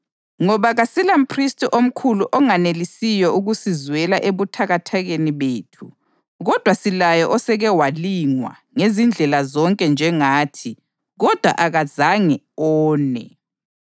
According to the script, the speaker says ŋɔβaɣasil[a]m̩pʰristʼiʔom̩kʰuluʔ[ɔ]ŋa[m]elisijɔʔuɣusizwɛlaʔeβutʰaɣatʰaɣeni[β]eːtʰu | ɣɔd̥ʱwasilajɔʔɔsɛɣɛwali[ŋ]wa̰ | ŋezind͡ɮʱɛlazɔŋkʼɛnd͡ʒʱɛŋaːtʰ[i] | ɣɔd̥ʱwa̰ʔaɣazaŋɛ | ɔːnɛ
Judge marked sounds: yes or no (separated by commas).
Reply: yes, yes, no, yes, yes, yes